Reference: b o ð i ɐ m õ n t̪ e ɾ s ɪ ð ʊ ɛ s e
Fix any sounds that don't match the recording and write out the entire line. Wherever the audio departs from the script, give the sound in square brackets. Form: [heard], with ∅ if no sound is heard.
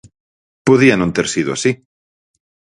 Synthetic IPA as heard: [p] o ð i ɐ [n] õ n t̪ e ɾ s [i] ð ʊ [a] s [i]